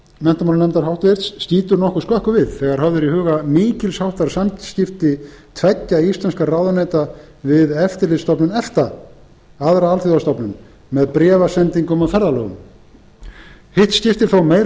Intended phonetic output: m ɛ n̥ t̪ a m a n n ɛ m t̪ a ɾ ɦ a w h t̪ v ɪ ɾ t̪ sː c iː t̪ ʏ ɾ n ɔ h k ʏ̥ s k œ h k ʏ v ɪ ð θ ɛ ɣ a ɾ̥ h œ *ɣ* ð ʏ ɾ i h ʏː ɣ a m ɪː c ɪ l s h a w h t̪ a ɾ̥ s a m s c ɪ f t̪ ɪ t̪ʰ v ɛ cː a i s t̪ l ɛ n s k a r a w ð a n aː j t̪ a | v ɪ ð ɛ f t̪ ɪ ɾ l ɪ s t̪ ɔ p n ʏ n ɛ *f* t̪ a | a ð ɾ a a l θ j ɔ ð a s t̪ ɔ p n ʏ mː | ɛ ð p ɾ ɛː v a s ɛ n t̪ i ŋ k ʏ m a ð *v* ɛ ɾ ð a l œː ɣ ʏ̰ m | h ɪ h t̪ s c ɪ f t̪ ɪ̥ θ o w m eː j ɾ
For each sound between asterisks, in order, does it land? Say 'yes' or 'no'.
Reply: no, yes, no

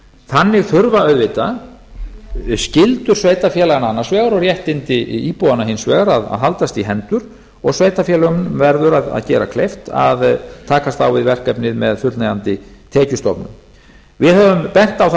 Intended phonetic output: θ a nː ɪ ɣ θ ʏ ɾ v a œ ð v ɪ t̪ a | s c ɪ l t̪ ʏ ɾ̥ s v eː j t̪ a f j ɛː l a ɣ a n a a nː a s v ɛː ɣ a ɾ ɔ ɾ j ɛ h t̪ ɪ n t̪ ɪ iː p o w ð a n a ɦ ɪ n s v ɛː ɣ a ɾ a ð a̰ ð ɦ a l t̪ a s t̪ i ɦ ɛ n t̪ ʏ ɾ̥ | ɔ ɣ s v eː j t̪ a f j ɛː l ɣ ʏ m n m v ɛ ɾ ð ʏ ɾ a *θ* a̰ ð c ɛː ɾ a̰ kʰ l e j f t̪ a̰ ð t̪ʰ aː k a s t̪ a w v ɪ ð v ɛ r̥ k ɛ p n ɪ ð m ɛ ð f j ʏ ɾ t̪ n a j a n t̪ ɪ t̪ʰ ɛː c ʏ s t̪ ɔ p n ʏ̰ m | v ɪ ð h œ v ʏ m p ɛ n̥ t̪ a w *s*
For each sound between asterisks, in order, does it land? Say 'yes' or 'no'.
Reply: no, no

